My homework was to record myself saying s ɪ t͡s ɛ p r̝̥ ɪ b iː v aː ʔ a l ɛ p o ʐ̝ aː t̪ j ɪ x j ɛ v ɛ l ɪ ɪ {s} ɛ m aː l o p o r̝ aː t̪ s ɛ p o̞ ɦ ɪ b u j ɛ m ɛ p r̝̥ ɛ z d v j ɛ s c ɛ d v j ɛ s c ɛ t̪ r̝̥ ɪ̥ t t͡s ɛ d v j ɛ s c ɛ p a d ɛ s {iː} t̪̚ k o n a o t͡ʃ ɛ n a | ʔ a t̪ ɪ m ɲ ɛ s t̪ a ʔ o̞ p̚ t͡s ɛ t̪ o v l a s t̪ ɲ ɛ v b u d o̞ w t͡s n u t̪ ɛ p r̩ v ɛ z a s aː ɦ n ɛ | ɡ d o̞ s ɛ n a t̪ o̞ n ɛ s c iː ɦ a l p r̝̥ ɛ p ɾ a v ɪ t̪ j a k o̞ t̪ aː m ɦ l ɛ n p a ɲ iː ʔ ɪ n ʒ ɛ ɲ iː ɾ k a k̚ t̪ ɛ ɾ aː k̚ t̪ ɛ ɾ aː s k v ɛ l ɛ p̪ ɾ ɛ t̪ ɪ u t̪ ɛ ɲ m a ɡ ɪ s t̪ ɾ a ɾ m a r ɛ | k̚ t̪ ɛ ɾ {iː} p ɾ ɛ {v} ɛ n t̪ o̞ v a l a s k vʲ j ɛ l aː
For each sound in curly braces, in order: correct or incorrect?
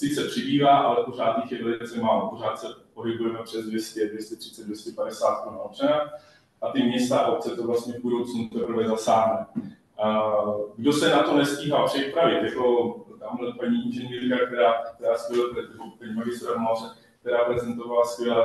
incorrect: t͡s, incorrect: aː, incorrect: aː, incorrect: z

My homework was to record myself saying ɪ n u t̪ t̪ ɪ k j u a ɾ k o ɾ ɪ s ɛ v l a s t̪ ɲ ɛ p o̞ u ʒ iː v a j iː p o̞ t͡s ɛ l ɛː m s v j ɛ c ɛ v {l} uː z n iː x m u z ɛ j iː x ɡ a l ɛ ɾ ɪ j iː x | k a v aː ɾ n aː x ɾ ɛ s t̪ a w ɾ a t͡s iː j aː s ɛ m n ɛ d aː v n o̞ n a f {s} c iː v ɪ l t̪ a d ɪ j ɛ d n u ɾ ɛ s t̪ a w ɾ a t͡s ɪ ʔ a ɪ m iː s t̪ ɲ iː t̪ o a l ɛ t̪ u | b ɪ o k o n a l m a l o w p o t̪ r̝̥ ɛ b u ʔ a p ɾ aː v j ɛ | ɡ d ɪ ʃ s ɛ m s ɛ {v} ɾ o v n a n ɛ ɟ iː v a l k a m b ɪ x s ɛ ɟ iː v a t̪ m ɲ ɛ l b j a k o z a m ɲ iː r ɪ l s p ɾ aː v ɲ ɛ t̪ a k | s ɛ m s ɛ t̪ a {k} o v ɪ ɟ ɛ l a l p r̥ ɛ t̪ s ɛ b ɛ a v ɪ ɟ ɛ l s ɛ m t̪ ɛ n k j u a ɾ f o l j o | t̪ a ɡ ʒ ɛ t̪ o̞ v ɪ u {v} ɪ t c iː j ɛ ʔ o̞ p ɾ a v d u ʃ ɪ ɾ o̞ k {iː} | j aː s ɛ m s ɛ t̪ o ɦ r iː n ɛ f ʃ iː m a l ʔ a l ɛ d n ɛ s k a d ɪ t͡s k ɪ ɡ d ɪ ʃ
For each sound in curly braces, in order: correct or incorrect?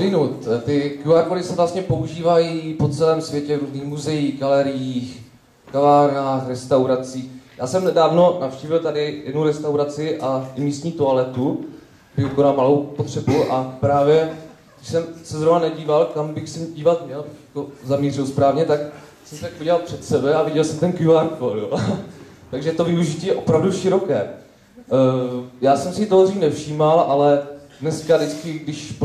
incorrect: ɾ, incorrect: ʃ, incorrect: z, correct, incorrect: ʒ, incorrect: ɛː

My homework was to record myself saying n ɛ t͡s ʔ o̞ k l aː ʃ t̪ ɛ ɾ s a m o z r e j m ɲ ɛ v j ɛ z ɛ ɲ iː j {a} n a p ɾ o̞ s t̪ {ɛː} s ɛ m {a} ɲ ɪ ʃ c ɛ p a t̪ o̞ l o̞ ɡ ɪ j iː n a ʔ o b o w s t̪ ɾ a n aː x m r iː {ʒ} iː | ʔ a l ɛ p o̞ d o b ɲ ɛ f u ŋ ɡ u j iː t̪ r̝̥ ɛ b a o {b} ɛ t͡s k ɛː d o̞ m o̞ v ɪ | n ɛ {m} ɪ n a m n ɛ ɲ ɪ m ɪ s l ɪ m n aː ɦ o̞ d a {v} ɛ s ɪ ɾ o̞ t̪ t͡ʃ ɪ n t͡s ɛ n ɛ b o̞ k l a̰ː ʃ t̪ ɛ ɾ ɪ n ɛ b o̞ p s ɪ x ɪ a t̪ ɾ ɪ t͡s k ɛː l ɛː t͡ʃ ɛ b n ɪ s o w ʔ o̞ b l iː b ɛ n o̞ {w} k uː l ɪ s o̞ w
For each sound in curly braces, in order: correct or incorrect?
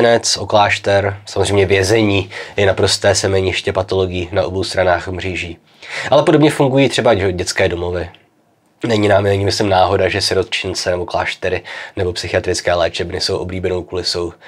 incorrect: ɛ, correct, incorrect: ɛ, correct, incorrect: ɟ, incorrect: ɲ, incorrect: ʒ, correct

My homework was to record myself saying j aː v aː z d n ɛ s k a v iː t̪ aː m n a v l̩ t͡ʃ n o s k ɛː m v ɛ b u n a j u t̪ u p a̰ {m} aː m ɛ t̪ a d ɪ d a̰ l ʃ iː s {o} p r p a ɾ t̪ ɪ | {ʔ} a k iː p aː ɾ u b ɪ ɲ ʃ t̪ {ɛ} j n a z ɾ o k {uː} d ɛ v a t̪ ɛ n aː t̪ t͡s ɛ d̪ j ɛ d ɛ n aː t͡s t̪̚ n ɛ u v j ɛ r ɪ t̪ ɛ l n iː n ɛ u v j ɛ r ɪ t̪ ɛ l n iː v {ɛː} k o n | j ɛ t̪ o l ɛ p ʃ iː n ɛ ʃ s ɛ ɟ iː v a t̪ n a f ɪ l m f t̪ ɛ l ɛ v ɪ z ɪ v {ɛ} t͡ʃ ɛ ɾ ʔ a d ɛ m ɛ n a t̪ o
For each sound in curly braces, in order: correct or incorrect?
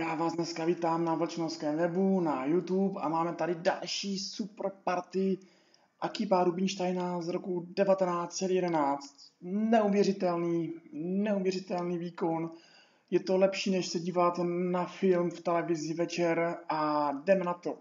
correct, incorrect: u, correct, incorrect: a, incorrect: u, incorrect: iː, correct

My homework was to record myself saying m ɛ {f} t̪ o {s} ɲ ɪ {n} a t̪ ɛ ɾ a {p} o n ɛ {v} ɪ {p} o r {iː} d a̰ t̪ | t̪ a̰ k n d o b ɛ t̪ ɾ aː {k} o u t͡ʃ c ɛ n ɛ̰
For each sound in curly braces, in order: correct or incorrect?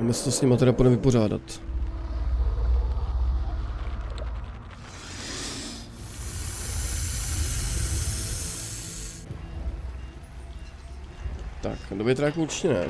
incorrect: s, correct, incorrect: m, correct, correct, correct, incorrect: aː, correct

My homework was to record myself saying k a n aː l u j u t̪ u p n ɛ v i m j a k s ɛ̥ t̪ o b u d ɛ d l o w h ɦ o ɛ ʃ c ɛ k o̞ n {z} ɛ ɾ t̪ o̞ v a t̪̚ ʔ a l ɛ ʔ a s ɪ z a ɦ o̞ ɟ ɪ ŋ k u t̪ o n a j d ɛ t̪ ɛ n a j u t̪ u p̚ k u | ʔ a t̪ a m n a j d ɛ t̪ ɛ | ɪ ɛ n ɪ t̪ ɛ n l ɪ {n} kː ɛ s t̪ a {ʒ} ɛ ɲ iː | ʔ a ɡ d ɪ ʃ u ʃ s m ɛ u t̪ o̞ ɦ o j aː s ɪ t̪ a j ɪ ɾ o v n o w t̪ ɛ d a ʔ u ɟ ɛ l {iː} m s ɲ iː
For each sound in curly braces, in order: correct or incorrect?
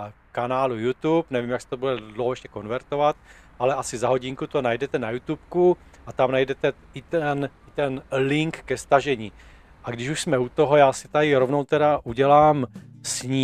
incorrect: v, incorrect: ŋ, correct, incorrect: aː

